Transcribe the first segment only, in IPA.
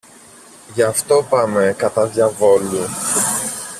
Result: ʝ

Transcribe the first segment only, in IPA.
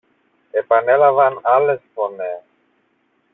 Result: e̞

